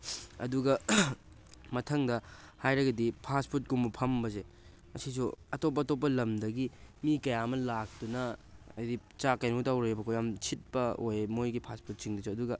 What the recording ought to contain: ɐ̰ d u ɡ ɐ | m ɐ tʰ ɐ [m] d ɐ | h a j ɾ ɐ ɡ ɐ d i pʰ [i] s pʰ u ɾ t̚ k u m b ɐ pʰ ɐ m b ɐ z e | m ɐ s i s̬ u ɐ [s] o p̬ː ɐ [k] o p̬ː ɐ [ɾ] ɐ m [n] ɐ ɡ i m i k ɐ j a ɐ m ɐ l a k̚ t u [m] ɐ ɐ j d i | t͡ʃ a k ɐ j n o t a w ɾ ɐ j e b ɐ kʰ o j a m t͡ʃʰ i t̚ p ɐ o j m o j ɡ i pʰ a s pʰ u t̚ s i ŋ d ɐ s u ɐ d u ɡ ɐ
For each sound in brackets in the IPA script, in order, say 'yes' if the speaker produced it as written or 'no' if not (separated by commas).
no, no, no, no, no, no, no